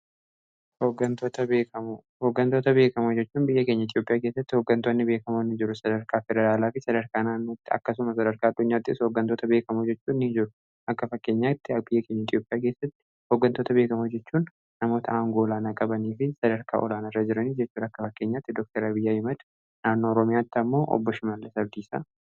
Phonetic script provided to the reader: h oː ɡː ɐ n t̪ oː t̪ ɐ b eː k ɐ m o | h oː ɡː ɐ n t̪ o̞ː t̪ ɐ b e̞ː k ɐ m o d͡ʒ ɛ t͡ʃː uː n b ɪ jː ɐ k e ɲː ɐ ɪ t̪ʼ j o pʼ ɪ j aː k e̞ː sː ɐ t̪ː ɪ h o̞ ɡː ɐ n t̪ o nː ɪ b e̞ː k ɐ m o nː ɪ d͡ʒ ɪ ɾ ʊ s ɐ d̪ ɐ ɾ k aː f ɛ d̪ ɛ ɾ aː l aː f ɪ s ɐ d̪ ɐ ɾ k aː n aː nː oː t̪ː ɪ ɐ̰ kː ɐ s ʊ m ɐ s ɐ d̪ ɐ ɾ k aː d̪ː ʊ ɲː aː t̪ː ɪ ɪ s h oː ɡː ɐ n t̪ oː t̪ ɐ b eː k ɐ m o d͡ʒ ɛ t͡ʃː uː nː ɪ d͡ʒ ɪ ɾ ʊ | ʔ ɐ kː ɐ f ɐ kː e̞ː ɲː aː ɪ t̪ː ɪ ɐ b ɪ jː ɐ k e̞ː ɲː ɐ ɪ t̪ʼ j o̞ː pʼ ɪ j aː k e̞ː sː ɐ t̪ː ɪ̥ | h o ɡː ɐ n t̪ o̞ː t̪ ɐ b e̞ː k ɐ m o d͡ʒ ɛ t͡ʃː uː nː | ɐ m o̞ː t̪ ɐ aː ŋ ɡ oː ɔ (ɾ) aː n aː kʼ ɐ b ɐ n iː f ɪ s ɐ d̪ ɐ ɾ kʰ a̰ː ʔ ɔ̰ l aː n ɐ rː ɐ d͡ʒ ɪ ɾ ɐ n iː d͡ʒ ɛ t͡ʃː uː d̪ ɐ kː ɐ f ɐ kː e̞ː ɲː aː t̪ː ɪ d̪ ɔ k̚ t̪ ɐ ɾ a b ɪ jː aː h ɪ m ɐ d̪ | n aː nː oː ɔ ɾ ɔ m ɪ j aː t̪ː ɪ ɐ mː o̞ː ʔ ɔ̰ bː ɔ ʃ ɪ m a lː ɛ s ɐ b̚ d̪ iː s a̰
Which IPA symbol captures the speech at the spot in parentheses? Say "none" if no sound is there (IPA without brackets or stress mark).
l